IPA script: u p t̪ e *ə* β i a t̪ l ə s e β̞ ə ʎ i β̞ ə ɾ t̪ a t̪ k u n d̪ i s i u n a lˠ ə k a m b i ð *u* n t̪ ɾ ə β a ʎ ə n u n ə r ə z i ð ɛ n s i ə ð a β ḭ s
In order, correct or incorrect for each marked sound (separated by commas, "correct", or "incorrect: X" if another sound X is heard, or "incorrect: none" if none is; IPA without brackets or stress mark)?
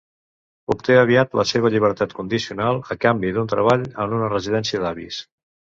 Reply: correct, correct